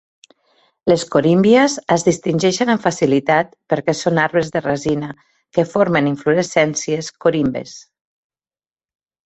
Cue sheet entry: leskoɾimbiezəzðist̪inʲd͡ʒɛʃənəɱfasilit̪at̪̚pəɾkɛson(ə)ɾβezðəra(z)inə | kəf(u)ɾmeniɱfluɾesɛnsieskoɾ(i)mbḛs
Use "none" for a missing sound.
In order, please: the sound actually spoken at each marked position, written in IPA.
a, z, o, i

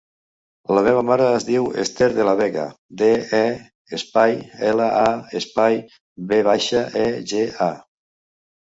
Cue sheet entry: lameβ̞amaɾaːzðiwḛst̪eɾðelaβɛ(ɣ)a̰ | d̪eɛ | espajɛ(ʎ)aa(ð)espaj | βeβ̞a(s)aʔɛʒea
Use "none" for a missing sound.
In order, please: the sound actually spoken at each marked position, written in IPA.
ɣ, l, none, ʃ

